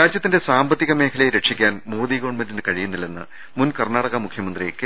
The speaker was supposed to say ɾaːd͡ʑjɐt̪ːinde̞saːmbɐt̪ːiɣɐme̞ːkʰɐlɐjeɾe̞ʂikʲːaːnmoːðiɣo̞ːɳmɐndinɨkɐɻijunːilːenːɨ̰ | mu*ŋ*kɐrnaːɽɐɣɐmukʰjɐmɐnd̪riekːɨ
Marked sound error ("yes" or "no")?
yes